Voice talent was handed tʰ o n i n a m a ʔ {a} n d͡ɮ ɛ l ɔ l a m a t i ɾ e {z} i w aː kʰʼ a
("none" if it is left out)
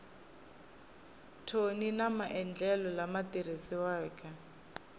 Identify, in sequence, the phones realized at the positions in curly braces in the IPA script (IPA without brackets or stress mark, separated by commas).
ɛ, s